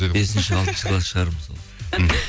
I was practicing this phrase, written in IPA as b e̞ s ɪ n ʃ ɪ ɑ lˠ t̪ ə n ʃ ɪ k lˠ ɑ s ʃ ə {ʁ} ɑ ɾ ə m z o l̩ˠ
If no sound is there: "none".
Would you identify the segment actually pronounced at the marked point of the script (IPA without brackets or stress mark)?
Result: ʁ